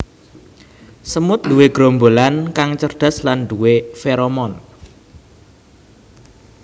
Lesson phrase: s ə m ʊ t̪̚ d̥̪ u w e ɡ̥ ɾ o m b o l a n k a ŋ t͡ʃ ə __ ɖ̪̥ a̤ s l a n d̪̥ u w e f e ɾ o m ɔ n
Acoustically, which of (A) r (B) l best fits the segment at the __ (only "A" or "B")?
A